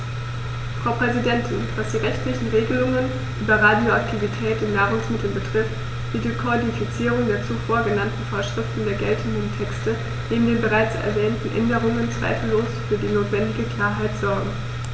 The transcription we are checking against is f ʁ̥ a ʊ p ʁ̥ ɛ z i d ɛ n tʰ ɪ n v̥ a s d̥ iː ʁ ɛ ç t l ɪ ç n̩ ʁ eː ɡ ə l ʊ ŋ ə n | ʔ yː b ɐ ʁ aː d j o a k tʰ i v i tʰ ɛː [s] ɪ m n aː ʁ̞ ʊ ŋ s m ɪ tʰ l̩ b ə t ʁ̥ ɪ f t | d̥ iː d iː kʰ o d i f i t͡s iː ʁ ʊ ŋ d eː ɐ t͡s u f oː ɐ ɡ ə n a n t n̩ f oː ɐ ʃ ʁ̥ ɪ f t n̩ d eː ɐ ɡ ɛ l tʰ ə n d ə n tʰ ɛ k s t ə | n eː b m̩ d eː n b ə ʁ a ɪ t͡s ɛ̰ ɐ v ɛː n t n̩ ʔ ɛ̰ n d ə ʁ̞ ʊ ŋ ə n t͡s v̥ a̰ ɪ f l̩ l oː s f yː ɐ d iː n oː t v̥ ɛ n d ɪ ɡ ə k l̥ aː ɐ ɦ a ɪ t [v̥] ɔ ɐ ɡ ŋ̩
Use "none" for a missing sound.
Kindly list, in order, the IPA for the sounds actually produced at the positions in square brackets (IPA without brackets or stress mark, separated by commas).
t, z̥